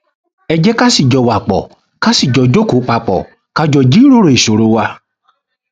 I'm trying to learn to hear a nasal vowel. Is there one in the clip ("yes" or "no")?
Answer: no